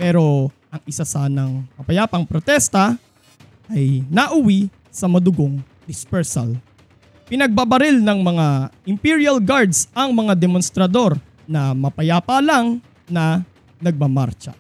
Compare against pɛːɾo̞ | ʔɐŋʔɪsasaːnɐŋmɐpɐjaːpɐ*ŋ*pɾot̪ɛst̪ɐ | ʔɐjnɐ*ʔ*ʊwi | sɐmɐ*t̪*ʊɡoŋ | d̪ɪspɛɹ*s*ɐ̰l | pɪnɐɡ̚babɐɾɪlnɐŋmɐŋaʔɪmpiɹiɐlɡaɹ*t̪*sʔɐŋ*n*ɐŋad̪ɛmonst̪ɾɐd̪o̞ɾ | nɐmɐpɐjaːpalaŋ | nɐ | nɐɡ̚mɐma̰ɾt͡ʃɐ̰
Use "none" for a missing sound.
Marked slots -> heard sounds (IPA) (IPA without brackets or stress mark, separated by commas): ŋ, ʔ, d̪, s, d̪, m